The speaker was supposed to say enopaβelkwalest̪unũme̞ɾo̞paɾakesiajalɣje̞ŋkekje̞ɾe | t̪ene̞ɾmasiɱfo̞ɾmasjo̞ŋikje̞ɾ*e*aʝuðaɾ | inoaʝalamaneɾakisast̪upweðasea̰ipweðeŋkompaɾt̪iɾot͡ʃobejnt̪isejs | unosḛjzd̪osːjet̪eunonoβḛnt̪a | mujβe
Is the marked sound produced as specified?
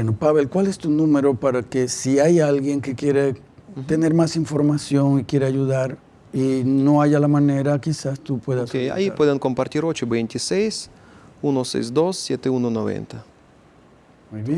yes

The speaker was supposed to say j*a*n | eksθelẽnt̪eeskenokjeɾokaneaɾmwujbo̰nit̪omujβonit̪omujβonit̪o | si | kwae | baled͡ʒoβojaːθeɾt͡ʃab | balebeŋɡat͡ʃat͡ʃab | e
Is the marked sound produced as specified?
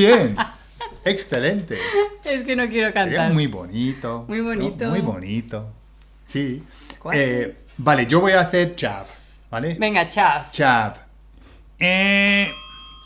no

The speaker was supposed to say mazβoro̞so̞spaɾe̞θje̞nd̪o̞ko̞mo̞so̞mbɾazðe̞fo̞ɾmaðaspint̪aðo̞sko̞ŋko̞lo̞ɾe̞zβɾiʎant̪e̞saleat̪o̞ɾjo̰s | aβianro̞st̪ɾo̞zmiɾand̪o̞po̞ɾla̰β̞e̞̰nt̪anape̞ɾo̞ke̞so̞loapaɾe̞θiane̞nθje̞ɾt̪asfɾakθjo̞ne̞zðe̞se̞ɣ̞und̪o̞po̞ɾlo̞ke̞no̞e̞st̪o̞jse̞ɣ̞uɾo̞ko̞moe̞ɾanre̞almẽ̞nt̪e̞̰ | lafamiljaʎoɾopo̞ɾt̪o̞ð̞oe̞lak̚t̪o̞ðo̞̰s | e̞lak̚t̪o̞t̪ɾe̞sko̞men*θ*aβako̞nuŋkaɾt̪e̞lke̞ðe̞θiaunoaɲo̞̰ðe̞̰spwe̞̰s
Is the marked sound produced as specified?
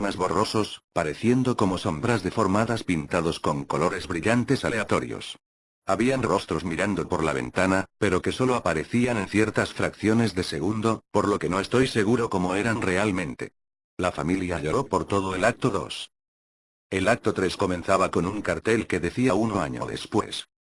yes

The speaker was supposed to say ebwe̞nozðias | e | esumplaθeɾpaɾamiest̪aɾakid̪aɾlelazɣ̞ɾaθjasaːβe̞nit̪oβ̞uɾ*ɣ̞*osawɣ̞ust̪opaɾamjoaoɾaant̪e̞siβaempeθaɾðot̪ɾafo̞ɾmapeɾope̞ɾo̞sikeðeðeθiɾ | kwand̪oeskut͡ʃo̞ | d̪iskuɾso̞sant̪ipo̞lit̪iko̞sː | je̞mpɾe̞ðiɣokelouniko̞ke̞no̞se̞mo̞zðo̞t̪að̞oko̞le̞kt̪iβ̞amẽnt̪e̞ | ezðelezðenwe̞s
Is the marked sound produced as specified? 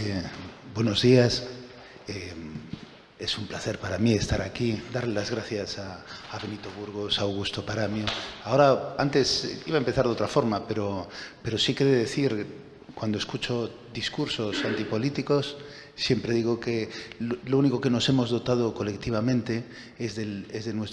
yes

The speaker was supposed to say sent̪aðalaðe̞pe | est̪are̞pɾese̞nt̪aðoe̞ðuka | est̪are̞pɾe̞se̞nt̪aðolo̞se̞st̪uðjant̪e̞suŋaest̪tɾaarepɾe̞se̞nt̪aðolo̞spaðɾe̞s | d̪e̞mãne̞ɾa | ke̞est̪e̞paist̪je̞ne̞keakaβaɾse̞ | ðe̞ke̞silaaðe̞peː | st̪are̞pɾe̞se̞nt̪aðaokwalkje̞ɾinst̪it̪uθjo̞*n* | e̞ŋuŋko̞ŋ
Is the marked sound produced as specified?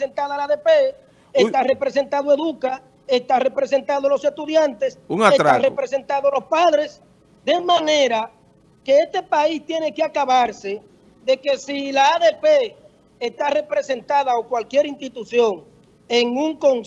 no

